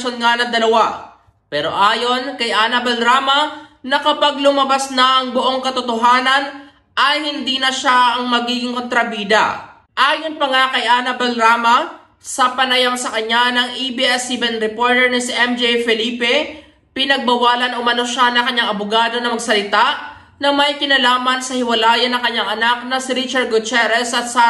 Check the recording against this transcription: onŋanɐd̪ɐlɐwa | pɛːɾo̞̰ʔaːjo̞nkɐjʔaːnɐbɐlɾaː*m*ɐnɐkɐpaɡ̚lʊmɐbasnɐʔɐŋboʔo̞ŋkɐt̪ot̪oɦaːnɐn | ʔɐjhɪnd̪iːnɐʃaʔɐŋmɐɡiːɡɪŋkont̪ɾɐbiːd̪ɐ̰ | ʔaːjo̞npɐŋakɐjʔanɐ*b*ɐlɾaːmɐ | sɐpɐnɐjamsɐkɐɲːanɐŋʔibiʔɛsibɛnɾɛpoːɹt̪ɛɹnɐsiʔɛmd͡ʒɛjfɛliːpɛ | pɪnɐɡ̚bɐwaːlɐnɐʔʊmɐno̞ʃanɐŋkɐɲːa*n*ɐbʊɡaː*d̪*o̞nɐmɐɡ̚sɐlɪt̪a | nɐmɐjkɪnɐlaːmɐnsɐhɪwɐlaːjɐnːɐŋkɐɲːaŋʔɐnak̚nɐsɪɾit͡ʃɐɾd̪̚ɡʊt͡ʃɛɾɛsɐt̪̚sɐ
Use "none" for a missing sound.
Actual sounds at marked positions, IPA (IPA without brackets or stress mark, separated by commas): m, b, ŋ, d̪